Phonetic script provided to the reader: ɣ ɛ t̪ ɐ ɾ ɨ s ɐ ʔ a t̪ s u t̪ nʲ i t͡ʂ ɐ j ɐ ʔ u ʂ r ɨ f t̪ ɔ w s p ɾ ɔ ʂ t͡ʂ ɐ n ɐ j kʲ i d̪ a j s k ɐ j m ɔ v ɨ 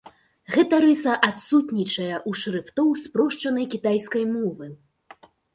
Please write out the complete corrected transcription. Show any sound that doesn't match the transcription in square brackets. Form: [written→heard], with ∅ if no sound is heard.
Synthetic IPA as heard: ɣ ɛ t̪ ɐ ɾ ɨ s ɐ ʔ a t̪ s u t̪ nʲ i t͡ʂ ɐ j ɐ ʔ u ʂ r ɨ f t̪ ɔ w s p ɾ ɔ ʂ t͡ʂ ɐ n ɐ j kʲ i [d̪→t̪] a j s k ɐ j m ɔ v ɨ